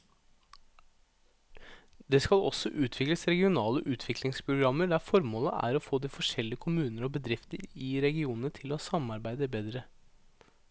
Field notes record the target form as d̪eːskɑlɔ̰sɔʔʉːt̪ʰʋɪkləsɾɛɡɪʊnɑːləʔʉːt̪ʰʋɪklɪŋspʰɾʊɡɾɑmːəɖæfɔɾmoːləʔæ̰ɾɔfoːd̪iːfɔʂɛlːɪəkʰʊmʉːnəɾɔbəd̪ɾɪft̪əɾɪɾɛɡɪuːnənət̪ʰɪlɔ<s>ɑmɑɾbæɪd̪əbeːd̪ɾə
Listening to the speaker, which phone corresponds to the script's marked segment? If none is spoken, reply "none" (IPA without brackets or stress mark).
s